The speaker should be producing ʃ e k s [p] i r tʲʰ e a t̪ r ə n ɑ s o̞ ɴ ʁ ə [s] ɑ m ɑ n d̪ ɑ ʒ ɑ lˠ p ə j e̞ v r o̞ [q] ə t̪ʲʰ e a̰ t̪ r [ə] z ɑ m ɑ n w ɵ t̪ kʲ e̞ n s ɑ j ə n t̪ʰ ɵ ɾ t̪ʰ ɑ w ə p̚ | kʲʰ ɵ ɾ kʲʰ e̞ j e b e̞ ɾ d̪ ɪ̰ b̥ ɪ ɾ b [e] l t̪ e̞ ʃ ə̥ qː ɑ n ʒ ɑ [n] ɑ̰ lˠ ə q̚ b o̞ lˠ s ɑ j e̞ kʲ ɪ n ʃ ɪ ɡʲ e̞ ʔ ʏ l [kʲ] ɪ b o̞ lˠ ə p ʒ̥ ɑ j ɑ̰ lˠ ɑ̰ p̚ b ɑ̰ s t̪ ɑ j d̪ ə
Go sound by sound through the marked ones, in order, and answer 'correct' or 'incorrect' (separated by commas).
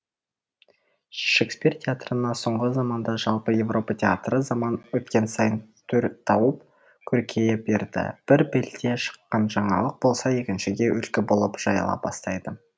correct, incorrect, incorrect, correct, correct, incorrect, correct